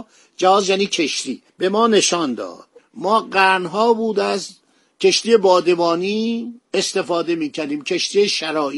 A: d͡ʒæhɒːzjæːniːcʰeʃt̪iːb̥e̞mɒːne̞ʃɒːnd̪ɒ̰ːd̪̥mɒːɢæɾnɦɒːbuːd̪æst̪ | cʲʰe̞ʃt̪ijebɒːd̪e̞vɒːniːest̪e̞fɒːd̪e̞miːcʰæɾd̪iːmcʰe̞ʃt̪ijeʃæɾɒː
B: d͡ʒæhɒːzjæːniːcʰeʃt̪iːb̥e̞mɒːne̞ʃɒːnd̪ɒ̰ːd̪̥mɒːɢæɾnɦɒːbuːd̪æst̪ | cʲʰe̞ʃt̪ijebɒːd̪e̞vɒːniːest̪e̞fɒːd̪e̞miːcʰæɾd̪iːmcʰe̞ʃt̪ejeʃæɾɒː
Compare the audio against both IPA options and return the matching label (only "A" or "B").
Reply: A